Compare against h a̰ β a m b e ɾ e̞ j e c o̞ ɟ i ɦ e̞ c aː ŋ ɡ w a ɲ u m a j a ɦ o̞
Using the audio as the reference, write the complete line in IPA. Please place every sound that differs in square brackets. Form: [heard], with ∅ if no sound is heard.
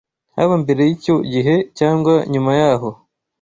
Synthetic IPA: h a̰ β a m b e ɾ e̞ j [i] c o̞ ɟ i ɦ e̞ c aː ŋ ɡ w a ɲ u m a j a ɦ o̞